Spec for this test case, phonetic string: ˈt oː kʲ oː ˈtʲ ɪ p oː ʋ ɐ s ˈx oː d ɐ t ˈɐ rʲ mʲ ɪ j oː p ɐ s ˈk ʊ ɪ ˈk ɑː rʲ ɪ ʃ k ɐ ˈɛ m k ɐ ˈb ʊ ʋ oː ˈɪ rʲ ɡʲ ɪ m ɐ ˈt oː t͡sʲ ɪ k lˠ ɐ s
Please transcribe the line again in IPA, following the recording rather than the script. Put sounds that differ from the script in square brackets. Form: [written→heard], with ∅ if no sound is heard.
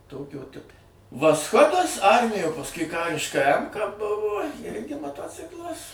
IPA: ˈt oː kʲ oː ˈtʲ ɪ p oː ʋ ɐ s ˈx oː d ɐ [t→s] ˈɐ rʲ mʲ ɪ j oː p ɐ s ˈk ʊ ɪ ˈk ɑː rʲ ɪ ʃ k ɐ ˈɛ m k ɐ ˈb ʊ ʋ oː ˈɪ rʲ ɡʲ ɪ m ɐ ˈt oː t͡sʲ ɪ k lˠ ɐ s